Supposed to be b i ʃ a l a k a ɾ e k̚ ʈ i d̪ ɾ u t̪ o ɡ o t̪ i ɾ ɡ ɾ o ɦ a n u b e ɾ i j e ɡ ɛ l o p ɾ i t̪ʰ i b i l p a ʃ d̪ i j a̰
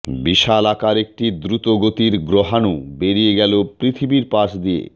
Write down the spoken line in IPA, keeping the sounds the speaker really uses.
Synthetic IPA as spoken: b i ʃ a l a k a ɾ e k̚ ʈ i d̪ ɾ u t̪ o ɡ o t̪ i ɾ ɡ ɾ o ɦ a n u b e ɾ i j e ɡ ɛ l o p ɾ i t̪ʰ i b i ɾ p a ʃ d̪ i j ḛ